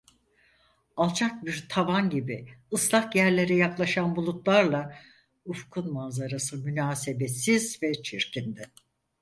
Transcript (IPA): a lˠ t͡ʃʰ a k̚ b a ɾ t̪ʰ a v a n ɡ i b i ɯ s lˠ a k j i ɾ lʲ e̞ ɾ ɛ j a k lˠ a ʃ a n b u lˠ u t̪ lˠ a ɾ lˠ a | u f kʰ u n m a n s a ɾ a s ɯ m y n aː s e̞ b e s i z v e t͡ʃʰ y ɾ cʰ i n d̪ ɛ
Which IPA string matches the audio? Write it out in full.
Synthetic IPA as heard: a lˠ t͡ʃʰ a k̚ b i ɾ t̪ʰ a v a n ɟ i b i ɯ s lˠ a k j æ ɾ lʲ e̞ ɾ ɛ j a k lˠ a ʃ a n b u lˠ u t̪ lˠ a ɾ lˠ a | u f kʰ u n m a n z a ɾ a s ɯ m y n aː s e̞ b e s i z v ɛ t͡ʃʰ i ɾ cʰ i n d̪ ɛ